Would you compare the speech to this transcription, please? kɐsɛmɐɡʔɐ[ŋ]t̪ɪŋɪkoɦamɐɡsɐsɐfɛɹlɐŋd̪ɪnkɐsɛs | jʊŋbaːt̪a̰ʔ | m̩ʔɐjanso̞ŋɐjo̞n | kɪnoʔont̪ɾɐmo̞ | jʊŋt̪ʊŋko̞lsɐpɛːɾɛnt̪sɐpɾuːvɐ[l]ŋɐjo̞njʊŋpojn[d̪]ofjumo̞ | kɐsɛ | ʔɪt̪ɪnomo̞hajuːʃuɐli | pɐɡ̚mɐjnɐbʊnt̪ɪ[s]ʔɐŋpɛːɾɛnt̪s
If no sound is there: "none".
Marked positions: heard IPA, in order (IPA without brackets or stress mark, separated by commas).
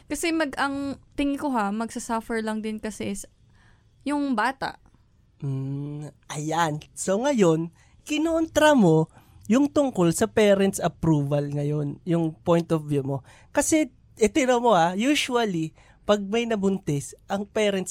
ŋ, l, t̪, s